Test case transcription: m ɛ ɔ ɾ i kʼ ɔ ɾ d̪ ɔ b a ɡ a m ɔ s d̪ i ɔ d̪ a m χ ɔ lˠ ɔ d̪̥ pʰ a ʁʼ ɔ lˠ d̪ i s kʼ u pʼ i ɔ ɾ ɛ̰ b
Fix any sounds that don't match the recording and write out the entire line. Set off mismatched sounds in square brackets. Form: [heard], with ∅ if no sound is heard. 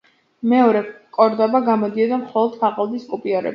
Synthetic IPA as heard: m ɛ ɔ ɾ [ɛ] kʼ ɔ ɾ d̪ ɔ b a ɡ a m ɔ [∅] d̪ i ɔ d̪ a m χ ɔ lˠ ɔ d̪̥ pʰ a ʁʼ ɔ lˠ d̪ i s kʼ u pʼ i ɔ ɾ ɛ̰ b